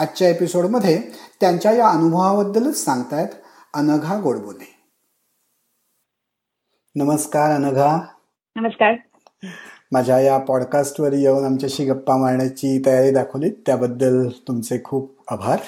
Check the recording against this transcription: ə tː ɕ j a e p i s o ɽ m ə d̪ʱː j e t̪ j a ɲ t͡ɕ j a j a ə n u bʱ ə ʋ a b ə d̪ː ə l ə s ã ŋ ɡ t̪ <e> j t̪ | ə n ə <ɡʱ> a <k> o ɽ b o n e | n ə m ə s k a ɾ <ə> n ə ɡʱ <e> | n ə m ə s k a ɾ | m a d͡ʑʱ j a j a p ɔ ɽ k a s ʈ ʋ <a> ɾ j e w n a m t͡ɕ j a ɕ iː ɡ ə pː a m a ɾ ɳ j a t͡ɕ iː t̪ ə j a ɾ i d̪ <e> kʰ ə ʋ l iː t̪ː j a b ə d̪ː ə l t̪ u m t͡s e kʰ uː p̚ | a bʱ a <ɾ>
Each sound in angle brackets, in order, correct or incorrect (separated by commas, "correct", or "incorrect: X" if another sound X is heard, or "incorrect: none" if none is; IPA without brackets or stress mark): incorrect: a, correct, incorrect: ɡ, correct, incorrect: a, incorrect: ə, incorrect: a, correct